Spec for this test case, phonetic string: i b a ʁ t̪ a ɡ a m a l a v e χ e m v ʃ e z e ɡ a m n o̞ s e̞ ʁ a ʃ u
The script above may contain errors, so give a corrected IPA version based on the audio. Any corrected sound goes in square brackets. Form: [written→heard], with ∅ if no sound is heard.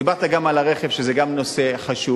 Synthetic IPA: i b a ʁ t̪ a ɡ a m a l a [v→ʁ] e χ e [m→∅] v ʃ e z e ɡ a m n o̞ s e̞ [ʁ→χ] a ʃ u

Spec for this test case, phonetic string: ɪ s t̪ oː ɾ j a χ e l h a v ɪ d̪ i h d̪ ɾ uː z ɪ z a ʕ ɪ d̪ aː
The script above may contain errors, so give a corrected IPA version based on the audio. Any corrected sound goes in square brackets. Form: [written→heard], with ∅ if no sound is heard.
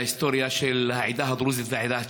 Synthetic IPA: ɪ s t̪ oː ɾ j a [χ→ʃ] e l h a [v→ʕ] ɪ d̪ [i→a] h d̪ ɾ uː z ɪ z a ʕ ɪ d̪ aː

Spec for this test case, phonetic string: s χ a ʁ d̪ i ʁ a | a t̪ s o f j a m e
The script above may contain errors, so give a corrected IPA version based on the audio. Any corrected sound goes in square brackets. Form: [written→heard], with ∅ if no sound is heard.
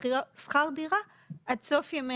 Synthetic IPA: s χ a ʁ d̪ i ʁ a | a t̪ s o f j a m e

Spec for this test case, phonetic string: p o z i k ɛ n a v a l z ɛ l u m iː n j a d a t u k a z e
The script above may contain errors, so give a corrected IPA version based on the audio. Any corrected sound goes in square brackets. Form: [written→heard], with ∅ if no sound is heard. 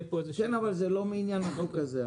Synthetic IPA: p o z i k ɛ n a v a l z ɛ l [u→o] m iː n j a [d→n] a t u k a z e

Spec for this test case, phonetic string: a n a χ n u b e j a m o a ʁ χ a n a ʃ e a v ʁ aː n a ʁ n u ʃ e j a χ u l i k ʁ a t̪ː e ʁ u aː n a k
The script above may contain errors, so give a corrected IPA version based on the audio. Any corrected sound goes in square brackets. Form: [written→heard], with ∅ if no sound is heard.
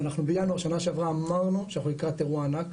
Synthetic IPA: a n a χ n u b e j a [m→n] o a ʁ [χ→ʃ] a n a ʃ e a v ʁ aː [n→m] a ʁ n u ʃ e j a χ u l i k ʁ a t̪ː e ʁ u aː n a k

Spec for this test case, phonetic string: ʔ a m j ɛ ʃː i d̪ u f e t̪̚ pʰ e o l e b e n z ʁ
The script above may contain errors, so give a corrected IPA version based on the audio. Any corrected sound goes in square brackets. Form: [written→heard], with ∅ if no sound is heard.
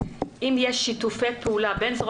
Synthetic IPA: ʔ [a→i] m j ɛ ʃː i [d̪→t̪] u f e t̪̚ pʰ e [o→u] l [e→a] b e n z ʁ

